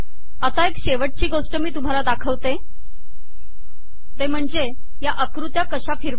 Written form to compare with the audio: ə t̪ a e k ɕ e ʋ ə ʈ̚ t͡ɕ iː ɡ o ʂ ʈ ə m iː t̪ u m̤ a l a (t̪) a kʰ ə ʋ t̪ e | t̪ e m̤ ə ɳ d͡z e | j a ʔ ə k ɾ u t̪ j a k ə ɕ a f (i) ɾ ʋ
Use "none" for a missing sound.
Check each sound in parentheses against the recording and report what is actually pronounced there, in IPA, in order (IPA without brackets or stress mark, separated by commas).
d̪, i